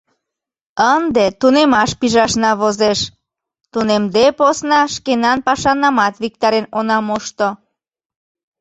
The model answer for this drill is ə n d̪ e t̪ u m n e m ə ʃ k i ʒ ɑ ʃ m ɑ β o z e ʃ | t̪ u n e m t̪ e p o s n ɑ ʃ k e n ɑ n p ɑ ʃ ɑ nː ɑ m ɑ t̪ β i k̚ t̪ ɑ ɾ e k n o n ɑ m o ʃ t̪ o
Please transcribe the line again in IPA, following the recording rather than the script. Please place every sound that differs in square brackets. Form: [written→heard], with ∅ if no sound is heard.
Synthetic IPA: ə n d̪ e t̪ u [m→∅] n e m [ə→ɑ] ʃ [k→p] i ʒ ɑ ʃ [m→n] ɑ β o z e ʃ | t̪ u n e m [t̪→d̪] e p o s n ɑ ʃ k e n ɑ n p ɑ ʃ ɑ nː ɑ m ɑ t̪ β i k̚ t̪ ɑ ɾ e [k→∅] n o n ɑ m o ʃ t̪ o